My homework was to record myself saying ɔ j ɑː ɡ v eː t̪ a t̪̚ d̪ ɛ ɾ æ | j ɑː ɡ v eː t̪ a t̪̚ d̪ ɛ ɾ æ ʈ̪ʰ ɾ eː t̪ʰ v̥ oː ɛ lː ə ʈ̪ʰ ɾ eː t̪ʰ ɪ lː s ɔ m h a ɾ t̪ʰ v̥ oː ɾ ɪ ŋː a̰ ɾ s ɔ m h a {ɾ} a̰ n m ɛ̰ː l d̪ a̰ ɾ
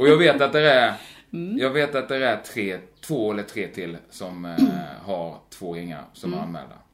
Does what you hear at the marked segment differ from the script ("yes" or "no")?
no